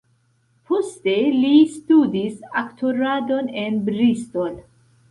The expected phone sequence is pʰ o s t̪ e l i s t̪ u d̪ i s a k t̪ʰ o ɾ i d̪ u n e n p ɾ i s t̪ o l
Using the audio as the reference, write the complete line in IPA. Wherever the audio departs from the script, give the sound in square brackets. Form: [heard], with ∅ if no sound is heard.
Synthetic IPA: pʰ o s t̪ e l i s t̪ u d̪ i s a k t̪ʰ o ɾ [a] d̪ [o] n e n [b] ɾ i s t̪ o l